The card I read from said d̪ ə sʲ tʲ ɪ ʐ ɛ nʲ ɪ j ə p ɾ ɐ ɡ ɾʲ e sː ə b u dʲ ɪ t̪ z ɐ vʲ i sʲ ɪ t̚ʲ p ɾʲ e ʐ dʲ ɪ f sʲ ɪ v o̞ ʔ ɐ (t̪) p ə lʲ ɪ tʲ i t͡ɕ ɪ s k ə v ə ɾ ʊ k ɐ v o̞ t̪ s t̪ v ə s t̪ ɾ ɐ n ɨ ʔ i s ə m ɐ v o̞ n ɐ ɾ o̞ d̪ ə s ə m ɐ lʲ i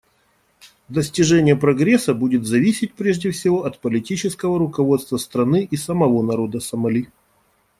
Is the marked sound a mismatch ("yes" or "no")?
no